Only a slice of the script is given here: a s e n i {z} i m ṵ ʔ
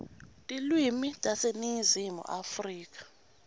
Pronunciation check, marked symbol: correct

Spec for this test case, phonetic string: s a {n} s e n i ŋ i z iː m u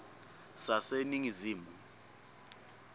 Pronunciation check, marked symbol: incorrect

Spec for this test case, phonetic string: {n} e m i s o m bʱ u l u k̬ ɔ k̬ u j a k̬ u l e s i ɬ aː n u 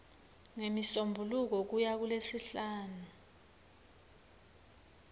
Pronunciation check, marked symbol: incorrect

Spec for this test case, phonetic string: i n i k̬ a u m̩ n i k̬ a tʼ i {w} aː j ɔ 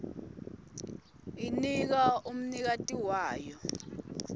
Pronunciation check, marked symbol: correct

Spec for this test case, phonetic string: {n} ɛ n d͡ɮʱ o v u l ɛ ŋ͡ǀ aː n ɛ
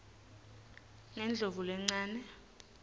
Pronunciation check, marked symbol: incorrect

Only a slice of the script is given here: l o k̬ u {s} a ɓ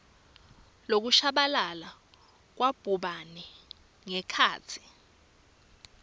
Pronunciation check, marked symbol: incorrect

